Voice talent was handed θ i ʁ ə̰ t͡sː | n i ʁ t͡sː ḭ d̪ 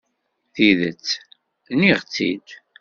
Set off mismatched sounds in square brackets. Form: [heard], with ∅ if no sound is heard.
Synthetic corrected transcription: θ i [ð] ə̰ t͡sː | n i ʁ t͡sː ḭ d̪